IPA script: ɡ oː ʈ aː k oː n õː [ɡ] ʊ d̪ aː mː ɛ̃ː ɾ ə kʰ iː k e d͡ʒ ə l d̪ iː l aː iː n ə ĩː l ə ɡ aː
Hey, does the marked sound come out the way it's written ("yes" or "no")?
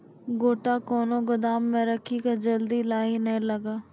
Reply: yes